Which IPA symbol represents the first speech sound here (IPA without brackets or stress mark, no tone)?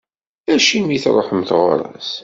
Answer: æ